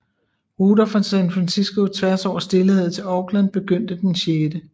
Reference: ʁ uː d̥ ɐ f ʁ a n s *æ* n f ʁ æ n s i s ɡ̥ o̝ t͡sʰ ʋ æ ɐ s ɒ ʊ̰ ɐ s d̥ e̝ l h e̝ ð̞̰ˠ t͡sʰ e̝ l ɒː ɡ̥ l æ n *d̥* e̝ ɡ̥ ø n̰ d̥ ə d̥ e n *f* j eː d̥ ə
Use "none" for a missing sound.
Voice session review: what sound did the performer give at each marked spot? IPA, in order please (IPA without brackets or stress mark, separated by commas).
æ, b̥, ɕ